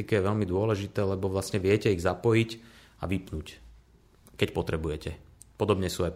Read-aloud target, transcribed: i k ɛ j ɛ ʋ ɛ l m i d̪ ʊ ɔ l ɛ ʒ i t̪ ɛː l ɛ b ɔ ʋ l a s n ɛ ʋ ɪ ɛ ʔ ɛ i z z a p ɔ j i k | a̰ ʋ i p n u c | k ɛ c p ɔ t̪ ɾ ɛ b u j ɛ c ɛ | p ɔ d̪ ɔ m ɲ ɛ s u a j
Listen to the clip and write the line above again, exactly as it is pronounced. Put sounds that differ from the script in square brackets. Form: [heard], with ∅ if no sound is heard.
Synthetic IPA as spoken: i k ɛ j ɛ ʋ ɛ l m i d̪ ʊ ɔ l ɛ ʒ i t̪ ɛː l ɛ b ɔ ʋ l a s [ɲ] ɛ ʋ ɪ ɛ [c] ɛ i [ɣ] z a p ɔ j i [c] | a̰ ʋ i p n u c | k ɛ c p ɔ t̪ ɾ ɛ b u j ɛ c ɛ | p ɔ d̪ ɔ [b] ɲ ɛ s u a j